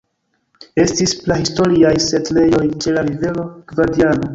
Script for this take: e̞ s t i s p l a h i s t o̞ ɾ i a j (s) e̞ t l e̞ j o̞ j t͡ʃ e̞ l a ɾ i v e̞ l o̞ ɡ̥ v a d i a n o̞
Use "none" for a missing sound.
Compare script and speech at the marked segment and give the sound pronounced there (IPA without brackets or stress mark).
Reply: s